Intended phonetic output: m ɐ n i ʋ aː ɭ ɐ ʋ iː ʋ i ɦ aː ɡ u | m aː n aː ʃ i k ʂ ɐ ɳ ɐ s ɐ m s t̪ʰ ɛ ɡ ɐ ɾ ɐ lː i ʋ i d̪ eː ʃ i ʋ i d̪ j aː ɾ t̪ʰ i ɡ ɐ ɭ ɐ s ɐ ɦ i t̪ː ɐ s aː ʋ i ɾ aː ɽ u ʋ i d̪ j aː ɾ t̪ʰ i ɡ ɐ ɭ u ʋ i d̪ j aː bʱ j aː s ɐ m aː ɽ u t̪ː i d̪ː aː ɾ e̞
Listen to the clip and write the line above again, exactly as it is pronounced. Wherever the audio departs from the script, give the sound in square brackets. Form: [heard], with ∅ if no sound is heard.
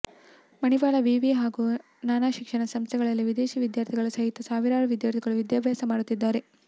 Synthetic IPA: m ɐ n i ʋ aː ɭ ɐ ʋ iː ʋ i ɦ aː ɡ u | [n] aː n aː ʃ i k ʂ ɐ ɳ ɐ s ɐ m s t̪ʰ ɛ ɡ ɐ [ɭ] ɐ lː i ʋ i d̪ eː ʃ i ʋ i d̪ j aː ɾ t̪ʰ i ɡ ɐ ɭ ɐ s ɐ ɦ i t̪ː ɐ s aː ʋ i ɾ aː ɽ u ʋ i d̪ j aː ɾ t̪ʰ i ɡ ɐ ɭ u ʋ i d̪ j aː bʱ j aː s ɐ m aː ɽ u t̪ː i d̪ː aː ɾ e̞